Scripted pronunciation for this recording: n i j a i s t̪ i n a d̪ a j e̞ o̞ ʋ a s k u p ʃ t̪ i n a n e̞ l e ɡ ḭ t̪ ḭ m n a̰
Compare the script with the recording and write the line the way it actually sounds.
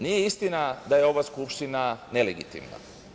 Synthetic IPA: n i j e i s t̪ i n a d̪ a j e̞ o̞ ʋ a s k u p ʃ t̪ i n a n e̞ l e ɡ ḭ t̪ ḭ m n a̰

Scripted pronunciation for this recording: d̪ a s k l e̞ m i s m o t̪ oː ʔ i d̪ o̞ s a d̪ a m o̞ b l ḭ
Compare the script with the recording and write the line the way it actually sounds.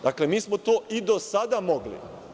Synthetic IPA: d̪ a k l e̞ m iː s m o t̪ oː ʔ i d̪ o̞ s a d̪ a m o̞ ɡ l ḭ

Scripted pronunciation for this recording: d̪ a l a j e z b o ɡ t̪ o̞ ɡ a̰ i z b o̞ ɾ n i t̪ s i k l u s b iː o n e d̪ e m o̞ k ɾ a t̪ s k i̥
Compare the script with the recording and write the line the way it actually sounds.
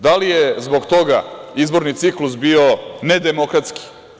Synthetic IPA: d̪ a l i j e z b o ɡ t̪ o̞ ɡ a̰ i z b o̞ ɾ n i t̪ s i k l u s b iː o n e d̪ e m o̞ k ɾ a t̪ s k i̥

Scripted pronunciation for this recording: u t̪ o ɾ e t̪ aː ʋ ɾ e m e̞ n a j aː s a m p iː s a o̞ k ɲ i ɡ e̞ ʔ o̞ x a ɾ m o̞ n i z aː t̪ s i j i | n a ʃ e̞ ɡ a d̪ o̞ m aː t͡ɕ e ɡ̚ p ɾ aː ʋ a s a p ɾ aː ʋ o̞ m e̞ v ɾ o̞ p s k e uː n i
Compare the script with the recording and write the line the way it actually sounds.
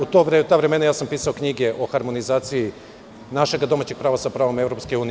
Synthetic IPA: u t̪ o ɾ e t̪ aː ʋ ɾ e m e̞ n a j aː s a m p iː s a o̞ k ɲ i ɡ e̞ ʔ o̞ x a ɾ m o̞ n i z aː t̪ s i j i | n a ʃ e̞ ɡ a d̪ o̞ m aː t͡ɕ e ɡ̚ p ɾ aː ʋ a s a p ɾ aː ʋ o̞ m e̞ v ɾ o̞ p s k e uː n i

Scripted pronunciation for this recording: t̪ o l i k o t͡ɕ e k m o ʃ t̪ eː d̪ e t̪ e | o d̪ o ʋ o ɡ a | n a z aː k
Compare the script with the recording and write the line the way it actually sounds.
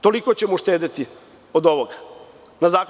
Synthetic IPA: t̪ o l i k o t͡ɕ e m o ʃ t̪ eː d̪ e t̪ i | o d̪ o ʋ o ɡ a | n a z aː k

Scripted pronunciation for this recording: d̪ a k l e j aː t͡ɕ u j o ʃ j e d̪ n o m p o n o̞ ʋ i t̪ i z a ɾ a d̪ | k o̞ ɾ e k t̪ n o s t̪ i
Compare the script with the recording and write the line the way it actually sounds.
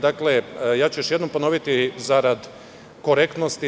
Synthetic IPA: d̪ a k l e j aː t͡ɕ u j o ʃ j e d̪ n o m p o n o̞ ʋ i t̪ i z a ɾ a d̪ | k o̞ ɾ e k t̪ n o s t̪ i

